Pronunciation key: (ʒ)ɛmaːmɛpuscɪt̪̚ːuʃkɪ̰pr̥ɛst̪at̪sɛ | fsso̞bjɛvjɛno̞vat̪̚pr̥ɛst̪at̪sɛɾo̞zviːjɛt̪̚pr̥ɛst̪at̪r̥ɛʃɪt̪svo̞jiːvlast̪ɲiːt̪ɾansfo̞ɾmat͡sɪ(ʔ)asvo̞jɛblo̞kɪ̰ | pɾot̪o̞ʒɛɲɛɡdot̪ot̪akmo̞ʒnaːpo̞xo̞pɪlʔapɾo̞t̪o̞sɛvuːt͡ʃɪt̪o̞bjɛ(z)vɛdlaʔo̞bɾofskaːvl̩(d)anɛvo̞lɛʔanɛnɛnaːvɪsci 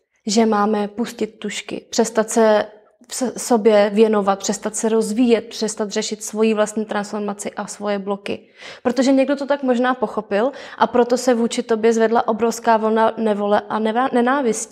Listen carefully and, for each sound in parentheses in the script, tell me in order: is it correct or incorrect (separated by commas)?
correct, correct, correct, incorrect